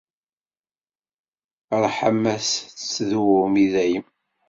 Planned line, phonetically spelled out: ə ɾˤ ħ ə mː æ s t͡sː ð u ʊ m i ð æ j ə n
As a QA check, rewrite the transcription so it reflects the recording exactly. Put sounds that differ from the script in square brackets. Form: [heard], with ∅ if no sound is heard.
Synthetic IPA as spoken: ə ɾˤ ħ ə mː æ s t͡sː ð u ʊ m i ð æ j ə [m]